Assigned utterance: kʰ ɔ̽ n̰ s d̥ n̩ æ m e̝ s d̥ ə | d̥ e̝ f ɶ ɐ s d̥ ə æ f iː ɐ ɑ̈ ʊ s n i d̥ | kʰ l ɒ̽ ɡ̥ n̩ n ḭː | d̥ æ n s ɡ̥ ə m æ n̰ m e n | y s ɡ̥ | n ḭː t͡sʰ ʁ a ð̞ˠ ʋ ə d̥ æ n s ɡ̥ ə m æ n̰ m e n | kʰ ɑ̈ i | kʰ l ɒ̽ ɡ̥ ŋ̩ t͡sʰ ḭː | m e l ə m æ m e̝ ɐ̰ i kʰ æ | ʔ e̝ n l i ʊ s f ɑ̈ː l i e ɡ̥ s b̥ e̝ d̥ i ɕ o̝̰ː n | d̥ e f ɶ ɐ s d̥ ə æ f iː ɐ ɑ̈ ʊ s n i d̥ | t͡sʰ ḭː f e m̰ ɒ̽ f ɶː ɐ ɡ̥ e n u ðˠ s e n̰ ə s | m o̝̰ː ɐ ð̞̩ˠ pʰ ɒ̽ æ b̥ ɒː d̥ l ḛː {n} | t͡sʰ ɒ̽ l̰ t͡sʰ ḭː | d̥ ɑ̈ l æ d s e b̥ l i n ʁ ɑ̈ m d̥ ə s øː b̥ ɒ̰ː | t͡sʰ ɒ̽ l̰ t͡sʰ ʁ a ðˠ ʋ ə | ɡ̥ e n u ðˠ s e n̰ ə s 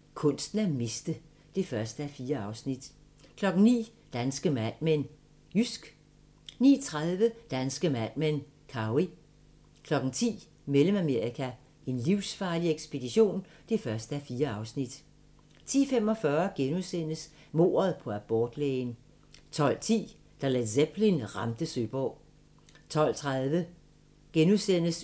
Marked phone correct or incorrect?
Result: correct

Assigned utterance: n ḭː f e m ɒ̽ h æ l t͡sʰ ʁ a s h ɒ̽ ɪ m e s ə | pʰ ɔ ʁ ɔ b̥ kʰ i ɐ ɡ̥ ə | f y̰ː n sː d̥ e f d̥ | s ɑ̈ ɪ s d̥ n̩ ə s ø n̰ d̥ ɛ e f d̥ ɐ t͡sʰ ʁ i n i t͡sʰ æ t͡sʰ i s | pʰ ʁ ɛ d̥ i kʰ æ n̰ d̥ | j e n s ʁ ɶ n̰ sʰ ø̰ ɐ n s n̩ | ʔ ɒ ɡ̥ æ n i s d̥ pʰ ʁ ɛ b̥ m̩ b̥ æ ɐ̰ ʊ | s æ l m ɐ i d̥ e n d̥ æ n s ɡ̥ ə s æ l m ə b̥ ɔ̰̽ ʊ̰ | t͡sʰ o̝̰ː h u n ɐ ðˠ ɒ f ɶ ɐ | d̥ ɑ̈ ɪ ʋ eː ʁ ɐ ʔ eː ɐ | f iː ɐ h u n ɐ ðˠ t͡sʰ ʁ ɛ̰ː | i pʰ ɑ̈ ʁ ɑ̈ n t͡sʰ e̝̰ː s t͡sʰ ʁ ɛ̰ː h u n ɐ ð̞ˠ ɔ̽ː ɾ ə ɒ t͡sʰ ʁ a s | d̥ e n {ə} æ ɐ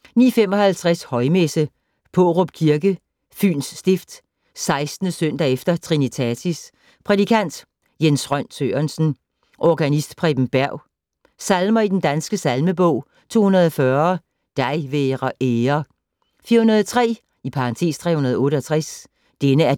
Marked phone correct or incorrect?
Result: correct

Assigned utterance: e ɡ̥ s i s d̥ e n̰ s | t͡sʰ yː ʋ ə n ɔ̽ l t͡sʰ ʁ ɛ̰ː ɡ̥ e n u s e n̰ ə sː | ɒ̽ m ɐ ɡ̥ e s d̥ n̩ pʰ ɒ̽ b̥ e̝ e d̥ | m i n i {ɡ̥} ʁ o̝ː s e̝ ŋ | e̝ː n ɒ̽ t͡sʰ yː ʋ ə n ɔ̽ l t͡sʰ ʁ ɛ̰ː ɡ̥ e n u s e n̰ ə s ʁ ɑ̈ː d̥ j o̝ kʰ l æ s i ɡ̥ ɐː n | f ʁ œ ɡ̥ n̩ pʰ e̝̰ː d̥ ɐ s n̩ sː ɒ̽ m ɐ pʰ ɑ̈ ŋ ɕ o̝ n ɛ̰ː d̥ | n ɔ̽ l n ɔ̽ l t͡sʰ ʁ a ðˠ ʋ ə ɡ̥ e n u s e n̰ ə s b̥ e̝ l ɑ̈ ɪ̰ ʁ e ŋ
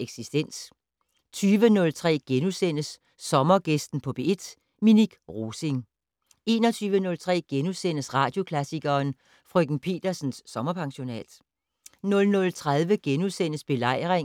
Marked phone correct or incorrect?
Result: correct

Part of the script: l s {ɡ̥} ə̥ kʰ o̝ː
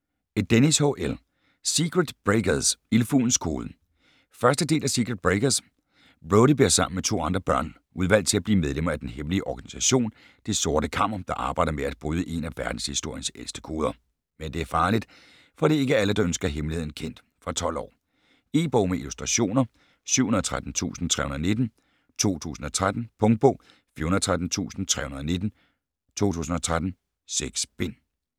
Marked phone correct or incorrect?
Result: incorrect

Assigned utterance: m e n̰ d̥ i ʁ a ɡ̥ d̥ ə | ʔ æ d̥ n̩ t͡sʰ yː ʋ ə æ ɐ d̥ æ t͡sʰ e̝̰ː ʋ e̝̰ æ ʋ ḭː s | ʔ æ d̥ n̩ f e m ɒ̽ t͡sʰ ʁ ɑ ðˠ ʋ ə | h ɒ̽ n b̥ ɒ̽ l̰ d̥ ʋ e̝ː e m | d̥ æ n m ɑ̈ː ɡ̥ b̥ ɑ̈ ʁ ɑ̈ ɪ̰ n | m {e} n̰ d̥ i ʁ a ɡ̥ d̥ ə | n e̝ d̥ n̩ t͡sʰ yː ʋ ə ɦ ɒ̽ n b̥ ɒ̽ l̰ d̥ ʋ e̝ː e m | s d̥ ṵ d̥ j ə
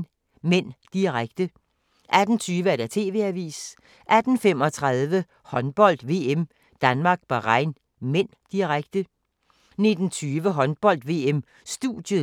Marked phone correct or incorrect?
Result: correct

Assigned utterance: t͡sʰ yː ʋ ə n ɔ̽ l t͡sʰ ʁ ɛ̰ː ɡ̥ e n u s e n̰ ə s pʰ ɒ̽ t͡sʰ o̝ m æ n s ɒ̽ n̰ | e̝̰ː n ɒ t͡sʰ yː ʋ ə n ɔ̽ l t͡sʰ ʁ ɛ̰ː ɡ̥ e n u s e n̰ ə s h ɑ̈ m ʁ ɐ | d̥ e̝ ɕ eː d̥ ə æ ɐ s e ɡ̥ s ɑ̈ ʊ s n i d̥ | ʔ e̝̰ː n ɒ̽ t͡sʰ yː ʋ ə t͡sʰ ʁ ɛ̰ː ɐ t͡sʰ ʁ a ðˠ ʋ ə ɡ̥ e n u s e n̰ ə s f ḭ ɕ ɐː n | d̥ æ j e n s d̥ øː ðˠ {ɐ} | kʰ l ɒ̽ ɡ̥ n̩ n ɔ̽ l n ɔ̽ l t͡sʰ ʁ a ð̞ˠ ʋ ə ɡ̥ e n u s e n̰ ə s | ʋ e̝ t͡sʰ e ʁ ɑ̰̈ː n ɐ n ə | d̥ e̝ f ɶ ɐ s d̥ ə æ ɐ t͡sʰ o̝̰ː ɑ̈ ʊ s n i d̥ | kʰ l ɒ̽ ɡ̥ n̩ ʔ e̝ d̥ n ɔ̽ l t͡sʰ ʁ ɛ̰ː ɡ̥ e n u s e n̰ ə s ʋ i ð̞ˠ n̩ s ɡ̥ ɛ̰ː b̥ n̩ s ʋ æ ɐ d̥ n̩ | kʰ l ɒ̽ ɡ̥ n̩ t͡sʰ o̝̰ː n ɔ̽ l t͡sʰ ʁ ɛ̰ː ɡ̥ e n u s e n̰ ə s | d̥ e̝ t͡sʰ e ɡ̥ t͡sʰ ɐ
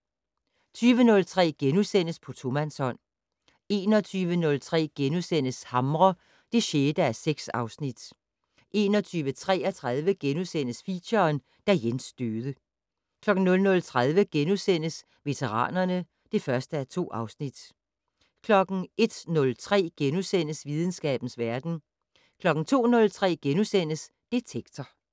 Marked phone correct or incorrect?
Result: incorrect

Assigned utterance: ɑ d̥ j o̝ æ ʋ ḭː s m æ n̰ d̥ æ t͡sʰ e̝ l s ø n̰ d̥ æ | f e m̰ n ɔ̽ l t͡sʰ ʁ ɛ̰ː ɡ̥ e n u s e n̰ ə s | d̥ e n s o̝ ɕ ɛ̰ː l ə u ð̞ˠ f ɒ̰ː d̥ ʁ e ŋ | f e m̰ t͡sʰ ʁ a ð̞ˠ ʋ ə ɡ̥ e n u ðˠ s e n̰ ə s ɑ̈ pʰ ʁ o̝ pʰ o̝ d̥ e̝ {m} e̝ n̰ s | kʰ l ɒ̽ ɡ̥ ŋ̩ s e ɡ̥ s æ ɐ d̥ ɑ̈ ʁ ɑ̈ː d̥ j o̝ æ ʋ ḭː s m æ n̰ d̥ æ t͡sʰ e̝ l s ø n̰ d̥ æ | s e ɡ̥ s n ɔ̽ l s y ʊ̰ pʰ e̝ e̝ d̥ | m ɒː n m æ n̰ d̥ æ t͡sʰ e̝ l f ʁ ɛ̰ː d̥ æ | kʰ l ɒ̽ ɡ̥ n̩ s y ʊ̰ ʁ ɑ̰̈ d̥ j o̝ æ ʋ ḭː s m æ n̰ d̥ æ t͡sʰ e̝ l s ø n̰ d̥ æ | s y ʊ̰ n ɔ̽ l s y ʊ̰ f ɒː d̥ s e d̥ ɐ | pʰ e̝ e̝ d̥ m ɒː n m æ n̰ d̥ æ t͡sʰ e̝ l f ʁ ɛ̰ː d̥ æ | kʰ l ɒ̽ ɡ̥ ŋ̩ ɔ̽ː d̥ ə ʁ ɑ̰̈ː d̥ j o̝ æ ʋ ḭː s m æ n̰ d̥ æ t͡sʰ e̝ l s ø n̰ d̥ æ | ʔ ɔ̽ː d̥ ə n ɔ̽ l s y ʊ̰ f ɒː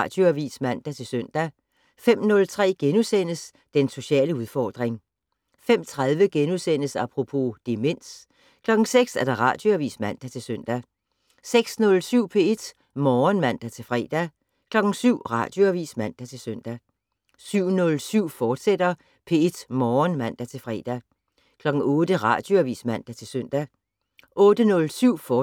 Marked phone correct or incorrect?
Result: correct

